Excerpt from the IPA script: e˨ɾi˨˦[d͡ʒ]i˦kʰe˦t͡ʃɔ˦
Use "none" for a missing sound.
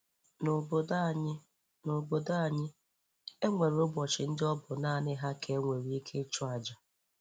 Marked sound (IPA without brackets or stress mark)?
none